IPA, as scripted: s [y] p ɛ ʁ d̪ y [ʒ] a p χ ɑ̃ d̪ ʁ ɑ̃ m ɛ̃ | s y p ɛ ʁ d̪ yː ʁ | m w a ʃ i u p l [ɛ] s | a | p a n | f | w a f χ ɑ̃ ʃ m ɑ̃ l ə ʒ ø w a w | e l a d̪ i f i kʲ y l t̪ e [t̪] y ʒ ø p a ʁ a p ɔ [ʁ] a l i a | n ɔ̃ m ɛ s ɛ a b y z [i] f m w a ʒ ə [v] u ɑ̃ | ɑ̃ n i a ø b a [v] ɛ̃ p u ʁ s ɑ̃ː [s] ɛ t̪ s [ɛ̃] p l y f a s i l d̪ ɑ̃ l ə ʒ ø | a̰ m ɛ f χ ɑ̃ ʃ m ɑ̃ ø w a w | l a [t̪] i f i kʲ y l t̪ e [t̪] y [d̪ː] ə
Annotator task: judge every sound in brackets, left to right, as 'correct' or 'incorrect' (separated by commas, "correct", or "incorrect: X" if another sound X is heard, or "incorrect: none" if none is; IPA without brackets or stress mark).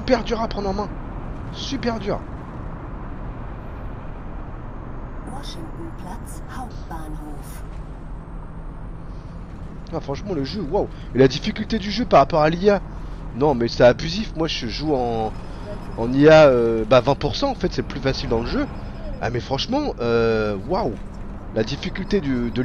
correct, incorrect: ʁ, incorrect: a, incorrect: d̪, correct, correct, incorrect: ʒ, correct, incorrect: f, incorrect: ɛ, incorrect: d̪, incorrect: d̪, incorrect: d̪